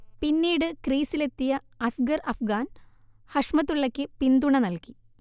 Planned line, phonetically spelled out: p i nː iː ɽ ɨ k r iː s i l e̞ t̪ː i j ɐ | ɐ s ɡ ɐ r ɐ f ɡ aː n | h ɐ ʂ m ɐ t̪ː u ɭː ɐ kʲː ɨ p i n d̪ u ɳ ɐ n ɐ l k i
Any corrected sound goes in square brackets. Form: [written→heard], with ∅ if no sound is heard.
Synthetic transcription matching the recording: p i nː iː ɽ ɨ k r iː s i l e̞ t̪ː i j ɐ | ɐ s ɡ ɐ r ɐ f ɡ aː n | h ɐ ʂ m ɐ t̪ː u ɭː ɐ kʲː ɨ p i n d̪ u ɳ ɐ n ɐ l k i